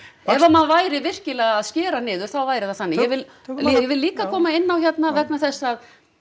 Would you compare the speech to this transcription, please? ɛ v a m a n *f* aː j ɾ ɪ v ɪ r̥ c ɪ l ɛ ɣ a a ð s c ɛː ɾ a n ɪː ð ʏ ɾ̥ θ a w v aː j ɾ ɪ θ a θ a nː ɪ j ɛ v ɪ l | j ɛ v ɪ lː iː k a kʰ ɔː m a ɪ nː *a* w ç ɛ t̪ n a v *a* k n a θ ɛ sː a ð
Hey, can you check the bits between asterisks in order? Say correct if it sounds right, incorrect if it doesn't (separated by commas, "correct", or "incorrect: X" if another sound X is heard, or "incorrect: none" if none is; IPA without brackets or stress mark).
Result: incorrect: v, correct, incorrect: ɛ